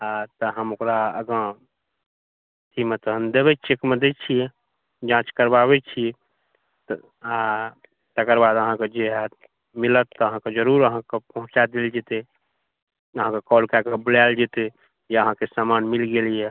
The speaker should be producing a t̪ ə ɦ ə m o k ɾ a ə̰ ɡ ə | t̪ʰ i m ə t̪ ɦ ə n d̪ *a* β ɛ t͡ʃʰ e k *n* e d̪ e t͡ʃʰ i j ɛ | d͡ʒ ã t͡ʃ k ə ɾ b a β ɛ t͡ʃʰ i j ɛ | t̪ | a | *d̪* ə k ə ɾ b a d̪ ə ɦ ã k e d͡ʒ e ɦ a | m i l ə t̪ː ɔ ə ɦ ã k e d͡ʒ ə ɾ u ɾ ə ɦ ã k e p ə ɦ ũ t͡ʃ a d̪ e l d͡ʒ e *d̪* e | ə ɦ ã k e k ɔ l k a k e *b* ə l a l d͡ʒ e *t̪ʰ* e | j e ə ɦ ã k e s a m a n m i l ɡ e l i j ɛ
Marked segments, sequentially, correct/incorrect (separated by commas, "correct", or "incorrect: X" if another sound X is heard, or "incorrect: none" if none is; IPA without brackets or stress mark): incorrect: e, incorrect: m, incorrect: t̪, incorrect: t̪, correct, incorrect: t̪